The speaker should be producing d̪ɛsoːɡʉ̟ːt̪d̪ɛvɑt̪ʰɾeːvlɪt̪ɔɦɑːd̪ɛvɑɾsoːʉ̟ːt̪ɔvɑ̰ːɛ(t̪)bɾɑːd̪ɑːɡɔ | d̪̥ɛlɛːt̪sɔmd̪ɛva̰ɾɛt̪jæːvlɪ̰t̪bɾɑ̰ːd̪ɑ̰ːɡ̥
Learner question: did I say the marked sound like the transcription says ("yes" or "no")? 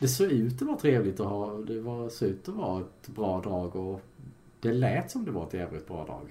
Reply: yes